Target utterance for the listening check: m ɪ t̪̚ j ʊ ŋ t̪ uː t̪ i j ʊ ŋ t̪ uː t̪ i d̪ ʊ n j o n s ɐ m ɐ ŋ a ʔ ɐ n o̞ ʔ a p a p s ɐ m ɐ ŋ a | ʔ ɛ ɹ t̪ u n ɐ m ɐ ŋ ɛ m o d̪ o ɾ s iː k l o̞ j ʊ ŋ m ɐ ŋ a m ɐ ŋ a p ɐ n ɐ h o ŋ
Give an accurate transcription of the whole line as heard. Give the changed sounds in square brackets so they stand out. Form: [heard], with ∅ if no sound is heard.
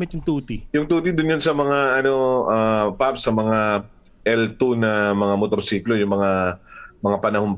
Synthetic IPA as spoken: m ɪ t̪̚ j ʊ ŋ t̪ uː t̪ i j ʊ ŋ t̪ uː t̪ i d̪ ʊ n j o n s ɐ m ɐ ŋ a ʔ ɐ n o̞ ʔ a p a p s ɐ m ɐ ŋ a | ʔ ɛ [l] t̪ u n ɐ m ɐ ŋ [a] m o [t̪] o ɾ s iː k l o̞ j ʊ ŋ m ɐ ŋ a m ɐ ŋ a p ɐ n ɐ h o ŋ